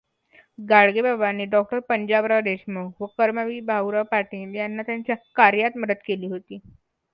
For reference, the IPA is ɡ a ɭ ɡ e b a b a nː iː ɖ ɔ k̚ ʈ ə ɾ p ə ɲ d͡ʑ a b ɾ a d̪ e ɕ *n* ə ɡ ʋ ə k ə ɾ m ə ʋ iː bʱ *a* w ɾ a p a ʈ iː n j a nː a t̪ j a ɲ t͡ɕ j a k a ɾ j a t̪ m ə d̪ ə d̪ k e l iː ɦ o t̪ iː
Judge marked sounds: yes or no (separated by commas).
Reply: no, yes